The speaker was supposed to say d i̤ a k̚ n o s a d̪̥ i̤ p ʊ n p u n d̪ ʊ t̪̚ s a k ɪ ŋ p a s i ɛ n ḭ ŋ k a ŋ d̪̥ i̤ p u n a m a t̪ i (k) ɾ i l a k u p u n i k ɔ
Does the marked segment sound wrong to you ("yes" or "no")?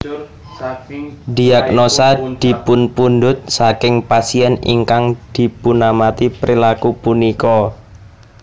yes